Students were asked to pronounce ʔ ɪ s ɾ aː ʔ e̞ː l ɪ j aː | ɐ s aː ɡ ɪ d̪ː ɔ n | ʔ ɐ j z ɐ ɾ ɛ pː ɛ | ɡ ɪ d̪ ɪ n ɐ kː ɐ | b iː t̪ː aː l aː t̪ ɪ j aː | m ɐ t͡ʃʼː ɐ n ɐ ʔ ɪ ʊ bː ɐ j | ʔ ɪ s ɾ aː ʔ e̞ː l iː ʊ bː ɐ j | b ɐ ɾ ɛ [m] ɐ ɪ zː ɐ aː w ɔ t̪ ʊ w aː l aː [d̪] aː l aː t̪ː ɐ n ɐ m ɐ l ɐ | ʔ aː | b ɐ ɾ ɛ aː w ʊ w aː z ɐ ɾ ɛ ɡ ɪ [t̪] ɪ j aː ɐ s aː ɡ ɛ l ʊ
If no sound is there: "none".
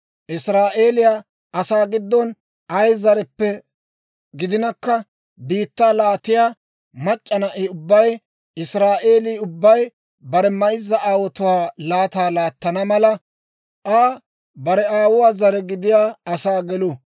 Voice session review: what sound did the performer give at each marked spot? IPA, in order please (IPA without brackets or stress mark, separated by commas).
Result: m, t̪, d̪